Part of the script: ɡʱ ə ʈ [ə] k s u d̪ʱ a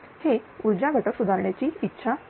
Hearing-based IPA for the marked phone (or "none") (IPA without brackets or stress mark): ə